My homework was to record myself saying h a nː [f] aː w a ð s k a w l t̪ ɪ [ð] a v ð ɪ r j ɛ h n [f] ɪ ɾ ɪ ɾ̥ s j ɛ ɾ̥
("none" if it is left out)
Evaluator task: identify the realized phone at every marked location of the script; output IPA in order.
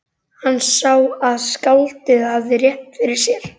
s, ð, f

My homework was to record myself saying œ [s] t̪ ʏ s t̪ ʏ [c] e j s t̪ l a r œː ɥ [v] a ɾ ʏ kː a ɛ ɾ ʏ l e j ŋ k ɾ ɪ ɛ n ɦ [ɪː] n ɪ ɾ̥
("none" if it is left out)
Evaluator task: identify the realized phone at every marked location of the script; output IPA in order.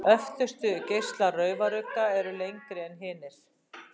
f, c, v, ɪː

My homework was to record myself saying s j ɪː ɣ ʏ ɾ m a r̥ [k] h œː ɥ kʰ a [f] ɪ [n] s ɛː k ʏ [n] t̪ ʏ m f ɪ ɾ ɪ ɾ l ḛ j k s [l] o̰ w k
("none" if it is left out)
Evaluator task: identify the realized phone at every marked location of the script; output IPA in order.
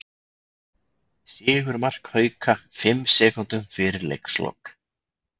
k, f, m, n, l

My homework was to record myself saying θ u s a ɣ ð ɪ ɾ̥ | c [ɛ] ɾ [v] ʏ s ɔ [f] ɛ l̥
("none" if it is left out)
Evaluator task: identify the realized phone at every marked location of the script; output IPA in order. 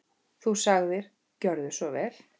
œ, ð, v

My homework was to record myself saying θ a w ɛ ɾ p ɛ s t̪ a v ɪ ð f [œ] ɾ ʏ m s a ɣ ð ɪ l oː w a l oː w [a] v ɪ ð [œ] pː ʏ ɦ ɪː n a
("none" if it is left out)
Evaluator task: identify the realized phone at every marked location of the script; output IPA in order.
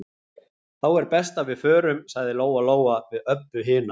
œː, a, œ

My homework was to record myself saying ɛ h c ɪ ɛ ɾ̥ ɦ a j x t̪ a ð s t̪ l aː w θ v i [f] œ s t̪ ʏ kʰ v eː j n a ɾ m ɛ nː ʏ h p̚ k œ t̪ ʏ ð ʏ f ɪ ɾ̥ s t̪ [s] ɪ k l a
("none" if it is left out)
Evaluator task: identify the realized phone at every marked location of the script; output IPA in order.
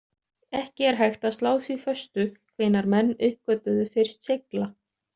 f, s

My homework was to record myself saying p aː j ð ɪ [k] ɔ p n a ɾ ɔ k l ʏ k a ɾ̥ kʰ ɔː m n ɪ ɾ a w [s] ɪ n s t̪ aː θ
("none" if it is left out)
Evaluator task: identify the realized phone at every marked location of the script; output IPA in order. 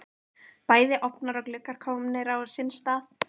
ʔ, s

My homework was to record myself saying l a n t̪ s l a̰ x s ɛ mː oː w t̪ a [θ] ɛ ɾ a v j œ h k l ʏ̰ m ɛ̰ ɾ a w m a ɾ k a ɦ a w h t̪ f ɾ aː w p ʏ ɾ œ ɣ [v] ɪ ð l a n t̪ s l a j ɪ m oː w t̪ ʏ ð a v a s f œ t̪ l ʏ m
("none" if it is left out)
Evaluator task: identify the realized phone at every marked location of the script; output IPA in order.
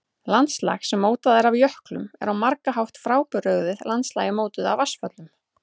ð, ð

